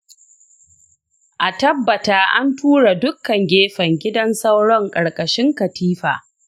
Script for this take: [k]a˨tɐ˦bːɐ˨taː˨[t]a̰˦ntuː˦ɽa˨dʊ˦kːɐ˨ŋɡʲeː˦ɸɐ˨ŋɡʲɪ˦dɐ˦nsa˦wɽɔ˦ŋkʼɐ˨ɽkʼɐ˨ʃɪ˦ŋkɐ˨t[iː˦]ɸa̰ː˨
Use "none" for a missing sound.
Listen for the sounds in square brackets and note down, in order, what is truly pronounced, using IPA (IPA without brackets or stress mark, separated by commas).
ʔ, ʔ, iː˦